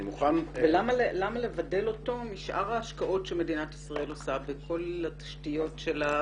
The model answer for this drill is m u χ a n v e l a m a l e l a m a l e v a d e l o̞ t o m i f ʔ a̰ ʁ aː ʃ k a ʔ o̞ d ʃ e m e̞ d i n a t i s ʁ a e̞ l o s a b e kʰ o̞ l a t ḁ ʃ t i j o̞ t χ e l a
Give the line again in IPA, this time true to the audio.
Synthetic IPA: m u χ a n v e l a m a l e l a m a l e v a d e l o̞ t o m i ʃ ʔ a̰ ʁ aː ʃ k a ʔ o̞ t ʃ e m e̞ d i n a t i s ʁ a e̞ l o s a b e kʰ o̞ l a t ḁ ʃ t i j o̞ t ʃ e l a

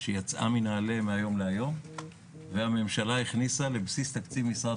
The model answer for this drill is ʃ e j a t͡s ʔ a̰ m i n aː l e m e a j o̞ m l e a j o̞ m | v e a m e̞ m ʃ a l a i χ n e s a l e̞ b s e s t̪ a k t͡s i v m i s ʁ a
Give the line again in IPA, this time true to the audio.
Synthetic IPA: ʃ e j a t͡s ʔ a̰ m i n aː l e m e a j o̞ m l e a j o̞ m | v e a m e̞ m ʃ a l a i χ n i s a l e̞ b s i s t̪ a k t͡s i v m i s ʁ a

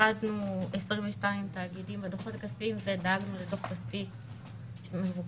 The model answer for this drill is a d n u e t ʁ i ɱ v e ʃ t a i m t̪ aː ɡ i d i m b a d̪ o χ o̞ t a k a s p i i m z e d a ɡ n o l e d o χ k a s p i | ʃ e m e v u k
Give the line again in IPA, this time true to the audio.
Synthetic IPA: a d n u e s ʁ i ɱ v e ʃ t a i m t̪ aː ɡ i d i m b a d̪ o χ o̞ t a k a s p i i m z e d a ɡ n u l e d o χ k a s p i | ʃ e m e v u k

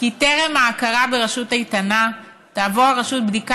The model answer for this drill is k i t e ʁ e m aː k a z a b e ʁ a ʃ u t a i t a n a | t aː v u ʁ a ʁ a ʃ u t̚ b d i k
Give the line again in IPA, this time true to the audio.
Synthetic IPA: k i t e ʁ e m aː k a ʁ a b e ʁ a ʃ u t a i t a n a | t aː v o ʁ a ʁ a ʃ u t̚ b d i k

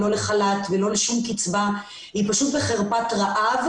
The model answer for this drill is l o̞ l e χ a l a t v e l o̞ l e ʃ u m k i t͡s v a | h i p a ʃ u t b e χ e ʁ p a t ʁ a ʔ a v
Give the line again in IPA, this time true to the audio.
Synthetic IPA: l o̞ l e χ a l a t v e l o̞ l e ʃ u m k i t͡s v a | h i p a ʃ u t b e χ e ʁ p a t ʁ a ʔ a v

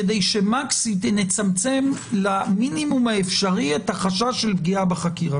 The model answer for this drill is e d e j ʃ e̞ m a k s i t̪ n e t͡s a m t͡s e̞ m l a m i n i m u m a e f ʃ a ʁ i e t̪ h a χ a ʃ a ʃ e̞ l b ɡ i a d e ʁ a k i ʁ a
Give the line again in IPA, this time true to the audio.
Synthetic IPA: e d e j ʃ e̞ m a k s i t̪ n e t͡s a m t͡s e̞ m l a m i n i m u m a e f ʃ a ʁ i e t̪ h a χ a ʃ a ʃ e̞ l b ɡ i a b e χ a k i ʁ a

